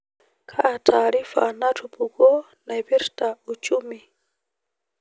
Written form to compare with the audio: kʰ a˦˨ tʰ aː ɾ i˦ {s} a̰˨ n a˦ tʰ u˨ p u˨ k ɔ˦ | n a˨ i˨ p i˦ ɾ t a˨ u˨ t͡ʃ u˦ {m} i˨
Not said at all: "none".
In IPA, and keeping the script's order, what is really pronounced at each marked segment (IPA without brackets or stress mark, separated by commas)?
f, m